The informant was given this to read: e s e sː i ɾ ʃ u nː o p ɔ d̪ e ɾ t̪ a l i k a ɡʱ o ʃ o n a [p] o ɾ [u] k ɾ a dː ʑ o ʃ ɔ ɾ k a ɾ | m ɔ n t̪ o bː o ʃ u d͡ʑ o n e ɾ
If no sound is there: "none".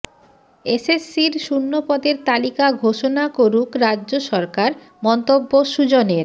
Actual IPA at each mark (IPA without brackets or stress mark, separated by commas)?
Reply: k, u